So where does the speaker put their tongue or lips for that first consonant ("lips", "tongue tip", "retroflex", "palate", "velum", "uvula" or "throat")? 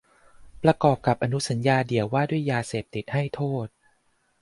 lips